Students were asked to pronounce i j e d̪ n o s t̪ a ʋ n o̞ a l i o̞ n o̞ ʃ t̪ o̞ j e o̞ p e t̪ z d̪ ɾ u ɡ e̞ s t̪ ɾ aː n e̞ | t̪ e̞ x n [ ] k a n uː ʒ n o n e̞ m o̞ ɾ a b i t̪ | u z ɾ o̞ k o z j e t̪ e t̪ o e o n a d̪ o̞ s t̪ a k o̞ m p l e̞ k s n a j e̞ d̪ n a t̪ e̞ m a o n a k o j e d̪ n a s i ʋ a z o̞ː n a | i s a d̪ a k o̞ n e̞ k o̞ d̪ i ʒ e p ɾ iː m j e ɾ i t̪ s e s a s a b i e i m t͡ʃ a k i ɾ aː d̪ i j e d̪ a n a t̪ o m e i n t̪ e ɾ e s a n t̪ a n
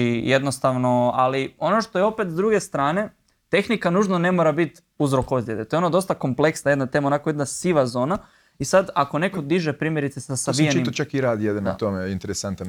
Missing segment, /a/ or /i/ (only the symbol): i